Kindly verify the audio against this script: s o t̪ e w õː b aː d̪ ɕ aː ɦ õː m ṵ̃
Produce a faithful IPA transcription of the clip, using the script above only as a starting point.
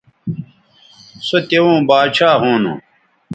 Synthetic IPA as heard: s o t̪ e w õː b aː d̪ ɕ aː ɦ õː n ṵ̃